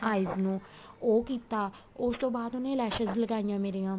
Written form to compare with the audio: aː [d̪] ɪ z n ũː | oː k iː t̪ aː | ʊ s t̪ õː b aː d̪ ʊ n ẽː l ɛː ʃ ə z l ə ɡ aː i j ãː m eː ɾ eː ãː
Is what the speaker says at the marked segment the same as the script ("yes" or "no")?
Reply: no